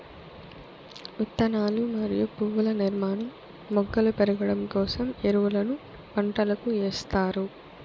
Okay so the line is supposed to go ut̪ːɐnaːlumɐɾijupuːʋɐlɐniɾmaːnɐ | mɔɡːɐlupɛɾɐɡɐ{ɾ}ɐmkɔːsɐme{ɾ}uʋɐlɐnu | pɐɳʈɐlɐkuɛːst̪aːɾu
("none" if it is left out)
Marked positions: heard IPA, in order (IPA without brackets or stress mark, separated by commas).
ɽ, ɾ